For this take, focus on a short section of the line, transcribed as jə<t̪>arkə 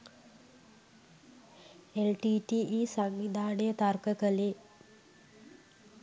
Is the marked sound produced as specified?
yes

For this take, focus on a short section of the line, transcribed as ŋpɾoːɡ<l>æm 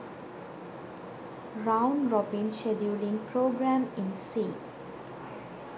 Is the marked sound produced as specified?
no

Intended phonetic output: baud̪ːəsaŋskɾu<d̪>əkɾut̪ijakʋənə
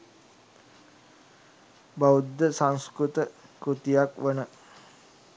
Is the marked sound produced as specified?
no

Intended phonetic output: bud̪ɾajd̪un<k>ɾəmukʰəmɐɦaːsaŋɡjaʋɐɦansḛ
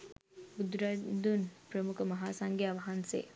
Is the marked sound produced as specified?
no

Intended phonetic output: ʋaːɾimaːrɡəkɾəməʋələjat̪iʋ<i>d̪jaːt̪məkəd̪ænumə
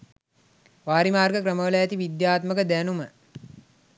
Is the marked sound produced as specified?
yes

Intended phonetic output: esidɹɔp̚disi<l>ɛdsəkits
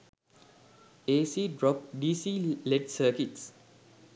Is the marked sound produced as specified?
yes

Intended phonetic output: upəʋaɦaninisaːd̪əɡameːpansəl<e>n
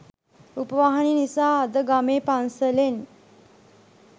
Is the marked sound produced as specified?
yes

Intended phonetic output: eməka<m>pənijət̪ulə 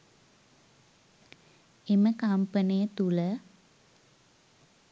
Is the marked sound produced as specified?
yes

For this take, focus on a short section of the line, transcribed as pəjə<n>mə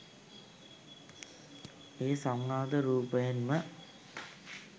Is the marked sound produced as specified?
yes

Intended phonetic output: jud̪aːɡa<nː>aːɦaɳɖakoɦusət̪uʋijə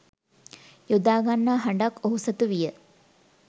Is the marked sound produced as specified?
yes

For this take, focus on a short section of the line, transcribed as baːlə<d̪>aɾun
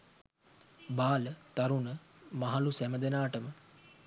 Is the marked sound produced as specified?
no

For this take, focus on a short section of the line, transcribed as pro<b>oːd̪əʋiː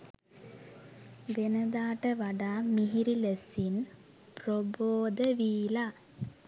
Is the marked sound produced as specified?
yes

